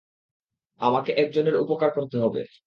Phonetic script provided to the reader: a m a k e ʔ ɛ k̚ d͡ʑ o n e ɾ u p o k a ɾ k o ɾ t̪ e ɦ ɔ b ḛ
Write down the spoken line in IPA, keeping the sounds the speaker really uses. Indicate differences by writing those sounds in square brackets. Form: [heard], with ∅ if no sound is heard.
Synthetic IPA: a m a k e ʔ ɛ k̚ d͡ʑ o n e ɾ u p o k a ɾ k o ɾ t̪ e ɦ ɔ b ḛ

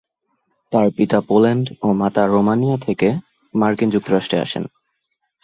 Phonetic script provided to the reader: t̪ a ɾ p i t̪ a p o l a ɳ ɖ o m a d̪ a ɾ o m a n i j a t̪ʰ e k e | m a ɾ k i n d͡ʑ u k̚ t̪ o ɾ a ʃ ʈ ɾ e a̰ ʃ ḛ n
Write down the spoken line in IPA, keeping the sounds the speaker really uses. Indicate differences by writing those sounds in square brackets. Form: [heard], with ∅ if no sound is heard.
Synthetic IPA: t̪ a ɾ p i t̪ a p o l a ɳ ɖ o m a [t̪] a ɾ o m a n i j a t̪ʰ e k e | m a ɾ k i n d͡ʑ u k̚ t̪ o ɾ a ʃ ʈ ɾ e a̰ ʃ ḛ n

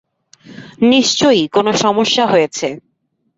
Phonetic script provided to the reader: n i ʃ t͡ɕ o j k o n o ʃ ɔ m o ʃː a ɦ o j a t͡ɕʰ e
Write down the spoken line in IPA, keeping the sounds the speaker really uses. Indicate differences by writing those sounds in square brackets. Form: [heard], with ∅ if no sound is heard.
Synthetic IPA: n i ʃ t͡ɕ o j k o n o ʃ ɔ m o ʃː a ɦ o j [e] t͡ɕʰ e

